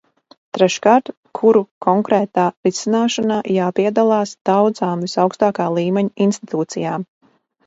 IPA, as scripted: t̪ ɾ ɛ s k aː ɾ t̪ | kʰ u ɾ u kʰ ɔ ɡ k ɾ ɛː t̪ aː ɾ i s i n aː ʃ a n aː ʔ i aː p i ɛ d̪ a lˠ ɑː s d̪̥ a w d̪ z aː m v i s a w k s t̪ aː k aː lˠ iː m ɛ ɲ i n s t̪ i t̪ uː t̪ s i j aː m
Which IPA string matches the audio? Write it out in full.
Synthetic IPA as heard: t̪ ɾ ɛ ʃ k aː ɾ t̪ | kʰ u ɾ u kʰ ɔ ŋ k ɾ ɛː t̪ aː ɾ i s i n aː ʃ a n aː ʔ j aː p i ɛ d̪ a lˠ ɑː s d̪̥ a w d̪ z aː m v i s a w k s t̪ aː k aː lˠ iː m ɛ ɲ i n s t̪ i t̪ uː t̪ s i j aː m